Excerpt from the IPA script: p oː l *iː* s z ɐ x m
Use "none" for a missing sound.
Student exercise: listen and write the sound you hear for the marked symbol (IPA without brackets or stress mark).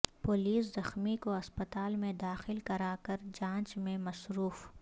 iː